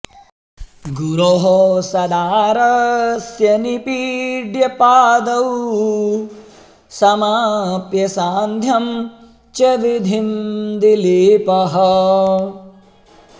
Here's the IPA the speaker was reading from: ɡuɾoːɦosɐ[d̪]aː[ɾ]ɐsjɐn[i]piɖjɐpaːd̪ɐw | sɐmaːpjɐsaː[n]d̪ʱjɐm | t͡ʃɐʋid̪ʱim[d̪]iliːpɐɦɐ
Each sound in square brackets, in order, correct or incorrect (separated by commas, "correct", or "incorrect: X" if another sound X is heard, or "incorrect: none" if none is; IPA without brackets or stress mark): correct, correct, correct, correct, correct